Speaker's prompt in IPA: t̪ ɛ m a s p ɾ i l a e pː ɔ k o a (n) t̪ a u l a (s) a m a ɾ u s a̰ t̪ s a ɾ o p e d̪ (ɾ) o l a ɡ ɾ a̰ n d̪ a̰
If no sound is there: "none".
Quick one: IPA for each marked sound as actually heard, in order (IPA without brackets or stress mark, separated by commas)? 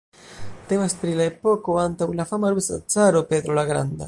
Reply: n, f, ɾ